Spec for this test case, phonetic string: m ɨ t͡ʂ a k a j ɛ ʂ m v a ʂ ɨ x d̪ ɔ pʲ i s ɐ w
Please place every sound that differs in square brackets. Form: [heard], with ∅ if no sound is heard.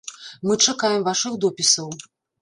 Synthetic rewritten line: m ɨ t͡ʂ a k a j ɛ [∅] m v a ʂ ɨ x d̪ ɔ pʲ i s ɐ w